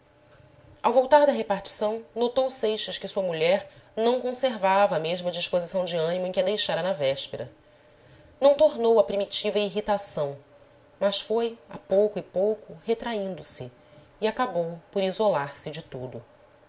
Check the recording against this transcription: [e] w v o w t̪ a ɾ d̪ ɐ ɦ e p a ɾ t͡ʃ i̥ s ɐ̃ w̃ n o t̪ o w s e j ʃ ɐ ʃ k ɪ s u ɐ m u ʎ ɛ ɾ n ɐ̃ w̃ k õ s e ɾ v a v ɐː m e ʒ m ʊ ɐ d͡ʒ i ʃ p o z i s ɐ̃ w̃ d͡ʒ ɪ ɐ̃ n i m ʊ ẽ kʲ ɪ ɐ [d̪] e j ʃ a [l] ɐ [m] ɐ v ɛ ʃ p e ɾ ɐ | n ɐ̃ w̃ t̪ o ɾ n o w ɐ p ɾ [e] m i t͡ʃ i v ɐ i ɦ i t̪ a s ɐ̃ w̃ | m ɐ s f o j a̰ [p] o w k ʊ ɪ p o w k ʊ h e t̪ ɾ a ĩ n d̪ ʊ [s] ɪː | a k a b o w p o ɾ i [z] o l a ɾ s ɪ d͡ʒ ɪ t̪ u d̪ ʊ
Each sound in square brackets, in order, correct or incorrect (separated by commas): incorrect, correct, incorrect, incorrect, incorrect, correct, correct, correct